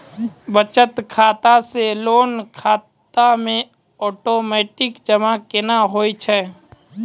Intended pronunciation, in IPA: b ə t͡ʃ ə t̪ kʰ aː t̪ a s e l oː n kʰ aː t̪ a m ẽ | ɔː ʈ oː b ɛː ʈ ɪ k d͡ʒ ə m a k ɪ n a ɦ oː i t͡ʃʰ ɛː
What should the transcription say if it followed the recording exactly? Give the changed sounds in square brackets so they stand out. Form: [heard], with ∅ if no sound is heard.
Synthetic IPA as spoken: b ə t͡ʃ ə t̪ kʰ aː t̪ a s e l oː n kʰ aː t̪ a m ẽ | ɔː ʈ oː [m] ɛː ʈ ɪ k d͡ʒ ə m a k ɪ n a ɦ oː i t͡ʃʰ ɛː